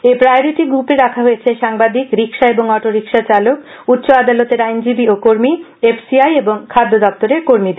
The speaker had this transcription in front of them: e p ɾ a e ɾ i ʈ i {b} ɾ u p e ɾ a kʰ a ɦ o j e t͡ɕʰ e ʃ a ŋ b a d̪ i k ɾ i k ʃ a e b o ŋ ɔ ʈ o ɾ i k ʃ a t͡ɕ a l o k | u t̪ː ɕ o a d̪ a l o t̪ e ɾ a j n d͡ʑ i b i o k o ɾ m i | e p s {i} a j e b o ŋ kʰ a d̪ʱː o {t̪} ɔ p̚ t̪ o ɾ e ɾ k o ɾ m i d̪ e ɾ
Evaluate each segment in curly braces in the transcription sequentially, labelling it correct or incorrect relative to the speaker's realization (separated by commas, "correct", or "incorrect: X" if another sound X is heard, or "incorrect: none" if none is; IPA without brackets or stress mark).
incorrect: ɡ, correct, incorrect: d̪